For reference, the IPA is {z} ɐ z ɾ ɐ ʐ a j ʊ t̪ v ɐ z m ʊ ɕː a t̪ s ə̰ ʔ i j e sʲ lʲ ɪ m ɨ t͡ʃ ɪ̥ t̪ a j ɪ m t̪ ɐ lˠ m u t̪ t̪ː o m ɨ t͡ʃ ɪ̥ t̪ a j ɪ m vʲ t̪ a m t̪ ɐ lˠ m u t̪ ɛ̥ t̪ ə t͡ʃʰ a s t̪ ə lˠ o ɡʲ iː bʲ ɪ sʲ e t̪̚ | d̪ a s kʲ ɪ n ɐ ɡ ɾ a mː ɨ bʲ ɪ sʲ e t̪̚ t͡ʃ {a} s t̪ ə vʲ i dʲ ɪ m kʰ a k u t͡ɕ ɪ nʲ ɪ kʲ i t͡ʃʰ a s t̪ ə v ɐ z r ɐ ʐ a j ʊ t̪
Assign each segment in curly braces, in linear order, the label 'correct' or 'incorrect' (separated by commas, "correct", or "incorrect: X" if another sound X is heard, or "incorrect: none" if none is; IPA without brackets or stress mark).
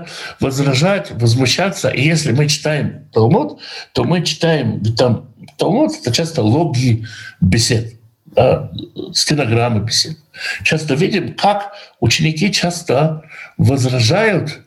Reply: incorrect: v, correct